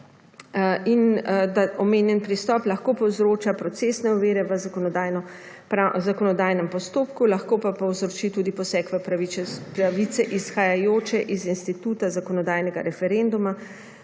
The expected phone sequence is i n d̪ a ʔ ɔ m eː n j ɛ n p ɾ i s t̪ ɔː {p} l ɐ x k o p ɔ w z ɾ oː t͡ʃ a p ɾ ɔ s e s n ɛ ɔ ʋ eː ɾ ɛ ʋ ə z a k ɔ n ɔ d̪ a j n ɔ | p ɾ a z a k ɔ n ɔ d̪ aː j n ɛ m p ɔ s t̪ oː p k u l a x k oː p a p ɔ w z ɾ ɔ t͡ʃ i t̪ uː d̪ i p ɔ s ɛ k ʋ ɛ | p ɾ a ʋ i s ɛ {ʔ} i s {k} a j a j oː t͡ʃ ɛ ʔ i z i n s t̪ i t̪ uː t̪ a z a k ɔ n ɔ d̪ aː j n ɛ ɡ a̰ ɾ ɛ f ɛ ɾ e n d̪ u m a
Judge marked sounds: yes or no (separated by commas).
yes, yes, no